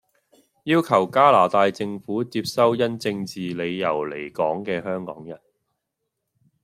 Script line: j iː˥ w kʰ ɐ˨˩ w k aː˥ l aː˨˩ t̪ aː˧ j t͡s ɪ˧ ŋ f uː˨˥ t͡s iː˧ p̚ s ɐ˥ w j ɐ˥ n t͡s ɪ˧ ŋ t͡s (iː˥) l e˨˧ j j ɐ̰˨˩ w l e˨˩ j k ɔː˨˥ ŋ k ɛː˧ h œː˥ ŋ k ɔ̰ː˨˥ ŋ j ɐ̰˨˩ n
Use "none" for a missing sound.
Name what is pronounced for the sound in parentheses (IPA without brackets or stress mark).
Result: iː˨